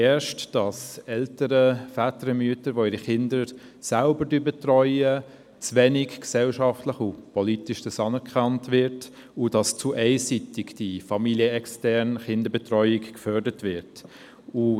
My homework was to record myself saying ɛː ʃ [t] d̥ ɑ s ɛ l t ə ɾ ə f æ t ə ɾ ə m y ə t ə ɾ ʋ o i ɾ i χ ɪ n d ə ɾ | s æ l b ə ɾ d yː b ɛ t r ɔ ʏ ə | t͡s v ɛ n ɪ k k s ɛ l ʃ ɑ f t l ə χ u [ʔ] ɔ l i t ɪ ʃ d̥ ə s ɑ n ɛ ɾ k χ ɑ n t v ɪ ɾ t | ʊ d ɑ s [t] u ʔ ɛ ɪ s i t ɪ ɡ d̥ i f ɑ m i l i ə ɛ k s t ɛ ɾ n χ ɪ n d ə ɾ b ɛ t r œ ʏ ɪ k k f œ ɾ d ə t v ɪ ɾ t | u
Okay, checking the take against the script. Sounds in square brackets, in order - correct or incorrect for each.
correct, incorrect, incorrect

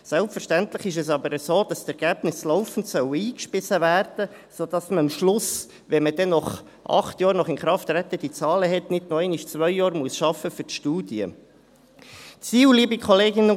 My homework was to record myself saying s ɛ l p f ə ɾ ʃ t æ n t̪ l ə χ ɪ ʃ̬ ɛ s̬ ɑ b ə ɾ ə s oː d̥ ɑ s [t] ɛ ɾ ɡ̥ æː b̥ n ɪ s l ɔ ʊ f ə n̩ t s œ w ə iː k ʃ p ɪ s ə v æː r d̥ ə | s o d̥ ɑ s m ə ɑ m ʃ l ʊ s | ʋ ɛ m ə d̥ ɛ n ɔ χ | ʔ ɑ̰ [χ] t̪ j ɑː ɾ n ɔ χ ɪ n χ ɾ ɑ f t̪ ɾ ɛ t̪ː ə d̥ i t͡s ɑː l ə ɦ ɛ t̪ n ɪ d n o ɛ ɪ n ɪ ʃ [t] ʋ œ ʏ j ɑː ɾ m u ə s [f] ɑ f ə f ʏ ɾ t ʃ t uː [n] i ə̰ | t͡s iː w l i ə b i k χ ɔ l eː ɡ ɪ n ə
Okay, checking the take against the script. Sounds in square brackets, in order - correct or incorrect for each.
correct, correct, incorrect, incorrect, incorrect

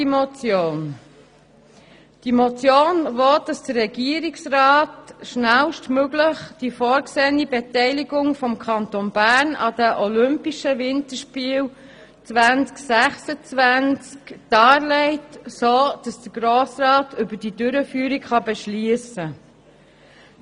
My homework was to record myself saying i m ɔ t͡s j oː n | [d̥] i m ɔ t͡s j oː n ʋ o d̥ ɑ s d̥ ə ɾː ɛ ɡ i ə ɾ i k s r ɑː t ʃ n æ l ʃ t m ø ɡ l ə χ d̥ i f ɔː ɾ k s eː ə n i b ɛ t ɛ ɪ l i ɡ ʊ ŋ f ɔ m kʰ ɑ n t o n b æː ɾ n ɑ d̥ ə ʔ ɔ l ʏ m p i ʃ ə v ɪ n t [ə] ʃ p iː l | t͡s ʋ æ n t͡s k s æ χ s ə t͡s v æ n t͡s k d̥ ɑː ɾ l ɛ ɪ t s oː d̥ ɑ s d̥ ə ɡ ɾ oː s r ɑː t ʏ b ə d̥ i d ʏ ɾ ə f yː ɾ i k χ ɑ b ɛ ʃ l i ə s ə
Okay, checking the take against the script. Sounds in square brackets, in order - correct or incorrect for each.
correct, correct

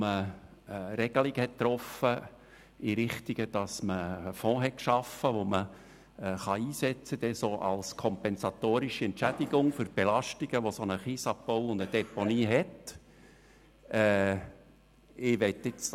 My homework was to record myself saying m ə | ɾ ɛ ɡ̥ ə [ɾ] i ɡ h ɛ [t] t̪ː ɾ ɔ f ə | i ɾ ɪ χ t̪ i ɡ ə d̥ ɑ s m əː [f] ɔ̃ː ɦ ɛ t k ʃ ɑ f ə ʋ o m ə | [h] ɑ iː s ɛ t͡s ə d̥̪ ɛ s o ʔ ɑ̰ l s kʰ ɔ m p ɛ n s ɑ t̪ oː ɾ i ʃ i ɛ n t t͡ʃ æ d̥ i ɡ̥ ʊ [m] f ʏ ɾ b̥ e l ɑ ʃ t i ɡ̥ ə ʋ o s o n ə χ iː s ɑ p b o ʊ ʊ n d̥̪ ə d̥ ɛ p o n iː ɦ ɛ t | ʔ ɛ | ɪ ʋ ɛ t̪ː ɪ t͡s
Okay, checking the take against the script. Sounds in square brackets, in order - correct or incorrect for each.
incorrect, correct, correct, incorrect, incorrect

